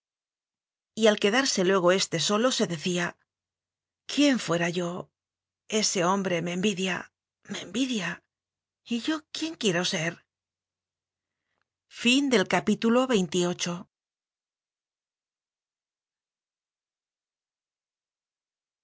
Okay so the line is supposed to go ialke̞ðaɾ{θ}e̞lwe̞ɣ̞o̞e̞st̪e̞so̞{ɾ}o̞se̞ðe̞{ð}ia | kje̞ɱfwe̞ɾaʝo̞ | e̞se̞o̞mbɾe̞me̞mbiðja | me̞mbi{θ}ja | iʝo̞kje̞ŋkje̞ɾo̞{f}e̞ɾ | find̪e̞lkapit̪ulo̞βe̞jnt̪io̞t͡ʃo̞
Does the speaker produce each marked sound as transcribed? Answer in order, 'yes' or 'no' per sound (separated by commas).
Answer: no, no, no, no, no